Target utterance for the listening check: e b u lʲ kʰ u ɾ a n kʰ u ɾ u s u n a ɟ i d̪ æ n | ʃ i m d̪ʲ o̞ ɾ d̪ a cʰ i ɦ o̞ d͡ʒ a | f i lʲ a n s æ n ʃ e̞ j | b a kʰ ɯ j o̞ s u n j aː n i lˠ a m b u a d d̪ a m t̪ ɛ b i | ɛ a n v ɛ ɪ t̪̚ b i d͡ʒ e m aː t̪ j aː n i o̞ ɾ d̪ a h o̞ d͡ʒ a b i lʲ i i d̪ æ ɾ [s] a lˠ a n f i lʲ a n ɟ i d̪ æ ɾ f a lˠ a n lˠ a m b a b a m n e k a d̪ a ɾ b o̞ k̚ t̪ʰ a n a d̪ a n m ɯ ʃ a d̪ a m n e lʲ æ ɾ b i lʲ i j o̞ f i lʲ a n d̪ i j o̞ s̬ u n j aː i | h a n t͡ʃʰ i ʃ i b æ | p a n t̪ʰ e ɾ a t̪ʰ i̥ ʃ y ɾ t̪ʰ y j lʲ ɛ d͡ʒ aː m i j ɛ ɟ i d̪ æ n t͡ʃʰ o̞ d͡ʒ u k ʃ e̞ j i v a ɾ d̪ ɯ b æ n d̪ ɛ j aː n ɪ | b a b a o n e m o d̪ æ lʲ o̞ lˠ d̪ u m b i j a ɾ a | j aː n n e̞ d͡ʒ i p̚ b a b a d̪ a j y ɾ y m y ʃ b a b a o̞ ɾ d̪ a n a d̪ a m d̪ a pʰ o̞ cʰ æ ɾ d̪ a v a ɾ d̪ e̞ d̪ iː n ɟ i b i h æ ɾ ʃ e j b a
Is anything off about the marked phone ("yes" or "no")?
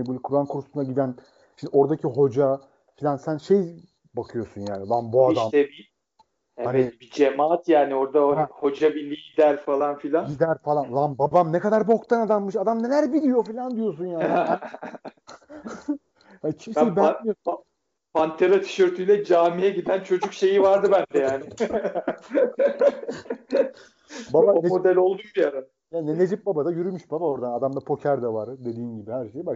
yes